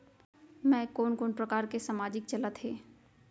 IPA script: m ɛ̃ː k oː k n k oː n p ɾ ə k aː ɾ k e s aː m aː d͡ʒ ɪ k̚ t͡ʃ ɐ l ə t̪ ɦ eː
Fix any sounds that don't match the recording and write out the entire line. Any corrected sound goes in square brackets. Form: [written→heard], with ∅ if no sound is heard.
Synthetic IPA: m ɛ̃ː k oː [k→∅] n k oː n p ɾ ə k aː ɾ k e s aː m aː d͡ʒ ɪ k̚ t͡ʃ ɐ l ə t̪ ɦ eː